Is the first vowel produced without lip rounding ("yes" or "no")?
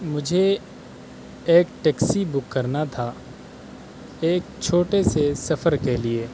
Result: no